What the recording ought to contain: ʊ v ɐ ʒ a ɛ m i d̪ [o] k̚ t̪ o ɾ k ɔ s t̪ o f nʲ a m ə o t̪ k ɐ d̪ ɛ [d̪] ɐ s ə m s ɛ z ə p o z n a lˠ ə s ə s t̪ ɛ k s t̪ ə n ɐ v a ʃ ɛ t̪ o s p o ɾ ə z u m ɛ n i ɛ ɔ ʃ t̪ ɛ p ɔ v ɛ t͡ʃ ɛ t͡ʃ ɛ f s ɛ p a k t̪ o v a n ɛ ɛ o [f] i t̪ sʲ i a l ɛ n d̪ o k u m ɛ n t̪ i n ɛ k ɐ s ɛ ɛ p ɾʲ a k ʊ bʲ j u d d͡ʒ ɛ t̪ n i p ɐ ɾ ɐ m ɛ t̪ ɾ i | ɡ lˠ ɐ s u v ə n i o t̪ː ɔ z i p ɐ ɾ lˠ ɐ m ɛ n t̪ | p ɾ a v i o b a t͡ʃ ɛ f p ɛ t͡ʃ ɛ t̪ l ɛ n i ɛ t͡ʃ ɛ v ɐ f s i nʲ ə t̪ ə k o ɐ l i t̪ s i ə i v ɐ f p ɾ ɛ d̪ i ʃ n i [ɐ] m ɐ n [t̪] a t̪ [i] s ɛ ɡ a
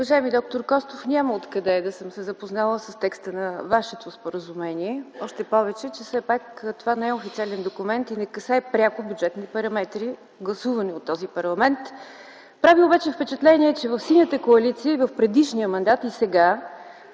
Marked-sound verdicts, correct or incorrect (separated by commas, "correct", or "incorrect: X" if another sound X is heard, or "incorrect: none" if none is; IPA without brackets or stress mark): incorrect: ɔ, correct, correct, incorrect: ə, incorrect: d̪, correct